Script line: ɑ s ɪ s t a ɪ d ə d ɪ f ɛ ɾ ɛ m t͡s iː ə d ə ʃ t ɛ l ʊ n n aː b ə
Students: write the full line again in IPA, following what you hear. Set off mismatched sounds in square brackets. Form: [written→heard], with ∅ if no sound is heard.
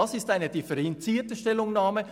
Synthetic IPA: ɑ s ɪ s t a ɪ [d→n] ə d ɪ f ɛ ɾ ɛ [m→n] t͡s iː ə [d→t] ə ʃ t ɛ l ʊ [n→ŋ] n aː [b→m] ə